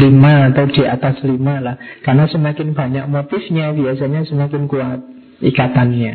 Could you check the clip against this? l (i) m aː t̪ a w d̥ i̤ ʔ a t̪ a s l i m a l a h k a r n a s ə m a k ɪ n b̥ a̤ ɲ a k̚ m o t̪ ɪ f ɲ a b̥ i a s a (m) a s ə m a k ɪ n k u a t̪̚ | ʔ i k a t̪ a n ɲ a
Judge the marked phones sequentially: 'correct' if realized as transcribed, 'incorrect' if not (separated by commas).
correct, incorrect